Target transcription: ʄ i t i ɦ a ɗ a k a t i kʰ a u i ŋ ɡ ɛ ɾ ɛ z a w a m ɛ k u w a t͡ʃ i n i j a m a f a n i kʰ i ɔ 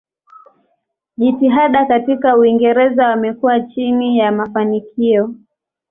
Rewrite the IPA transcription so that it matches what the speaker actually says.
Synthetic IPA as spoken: ʄ i t i ɦ a ɗ a k a t i k a u i ŋ ɡ ɛ ɾ ɛ z a w a m ɛ k u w a t͡ʃ i n i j a m a f a n i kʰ i ɔ

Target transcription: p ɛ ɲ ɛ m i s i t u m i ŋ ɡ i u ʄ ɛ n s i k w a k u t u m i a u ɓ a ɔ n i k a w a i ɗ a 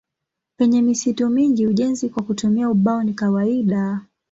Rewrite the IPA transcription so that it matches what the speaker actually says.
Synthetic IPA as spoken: p ɛ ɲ ɛ m i s i t u m i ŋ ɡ i u ʄ ɛ n z i k w a k u t u m i a u ɓ a ɔ n i k a w a i ɗ a

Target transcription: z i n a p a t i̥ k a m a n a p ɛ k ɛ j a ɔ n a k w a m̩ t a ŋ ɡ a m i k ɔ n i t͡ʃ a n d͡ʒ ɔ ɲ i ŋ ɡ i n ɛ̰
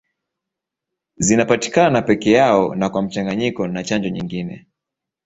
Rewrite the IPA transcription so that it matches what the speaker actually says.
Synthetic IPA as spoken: z i n a p a t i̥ k a n a n a p ɛ k ɛ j a ɔ n a k w a m̩ t͡ʃ a ŋ ɡ a ɲ i k ɔ n a t͡ʃ a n d͡ʒ ɔ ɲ i ŋ ɡ i n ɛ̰

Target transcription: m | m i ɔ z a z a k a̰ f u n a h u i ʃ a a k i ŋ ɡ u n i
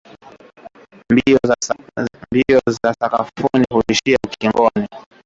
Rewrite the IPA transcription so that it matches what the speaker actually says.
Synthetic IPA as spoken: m | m i ɔ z a s a k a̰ f u n i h u i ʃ i a k i ŋ ɡ ɔ n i

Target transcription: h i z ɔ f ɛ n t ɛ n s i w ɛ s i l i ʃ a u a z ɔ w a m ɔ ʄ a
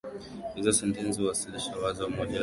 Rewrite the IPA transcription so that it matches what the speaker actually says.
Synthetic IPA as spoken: h i z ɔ s ɛ n t ɛ n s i w a s i l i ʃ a w a z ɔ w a m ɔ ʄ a

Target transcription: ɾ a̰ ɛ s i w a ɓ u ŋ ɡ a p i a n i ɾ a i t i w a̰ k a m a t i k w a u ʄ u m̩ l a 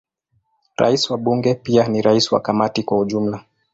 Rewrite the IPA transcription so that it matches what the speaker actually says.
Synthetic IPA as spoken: ɾ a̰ i s i w a ɓ u ŋ ɡ ɛ p i a n i ɾ a i s i w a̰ k a m a t i k w a u ʄ u m̩ l a

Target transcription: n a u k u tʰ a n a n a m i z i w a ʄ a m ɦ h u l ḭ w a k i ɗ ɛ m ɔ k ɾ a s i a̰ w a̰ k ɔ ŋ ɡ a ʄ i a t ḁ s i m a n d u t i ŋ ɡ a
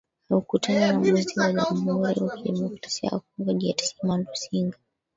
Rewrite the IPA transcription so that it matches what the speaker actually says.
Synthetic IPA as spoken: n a u k u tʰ a n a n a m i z i w a ʄ a m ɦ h u ɾ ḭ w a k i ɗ ɛ m ɔ k ɾ a s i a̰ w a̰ k ɔ ŋ ɡ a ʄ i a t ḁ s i m a n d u s i ŋ ɡ a

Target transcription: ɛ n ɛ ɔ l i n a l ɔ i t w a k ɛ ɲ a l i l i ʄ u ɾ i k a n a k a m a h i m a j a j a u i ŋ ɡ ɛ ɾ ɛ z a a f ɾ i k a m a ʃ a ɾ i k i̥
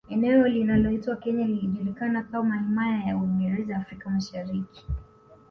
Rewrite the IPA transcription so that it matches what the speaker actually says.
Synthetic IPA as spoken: ɛ n ɛ ɔ l i n a l ɔ i t w a k ɛ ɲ a l i l i ʄ u ɾ i k a n a k a m a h i m a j a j a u i ŋ ɡ ɛ ɾ ɛ z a a f ɾ i k a m a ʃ a ɾ i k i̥

